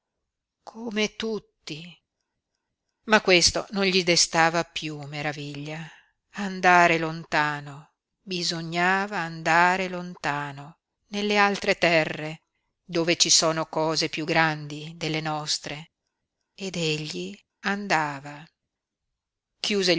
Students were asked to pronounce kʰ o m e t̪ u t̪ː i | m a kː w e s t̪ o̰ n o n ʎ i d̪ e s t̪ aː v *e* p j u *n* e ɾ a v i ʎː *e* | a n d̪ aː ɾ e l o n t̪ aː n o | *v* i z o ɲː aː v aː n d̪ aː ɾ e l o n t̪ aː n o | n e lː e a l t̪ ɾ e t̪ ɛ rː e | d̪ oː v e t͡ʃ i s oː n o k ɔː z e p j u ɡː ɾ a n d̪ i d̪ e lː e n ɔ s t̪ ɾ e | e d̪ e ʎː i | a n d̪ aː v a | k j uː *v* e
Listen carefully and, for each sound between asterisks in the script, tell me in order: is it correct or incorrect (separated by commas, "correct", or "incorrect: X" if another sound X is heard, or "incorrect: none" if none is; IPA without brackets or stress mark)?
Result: incorrect: a, incorrect: m, incorrect: a, incorrect: b, incorrect: z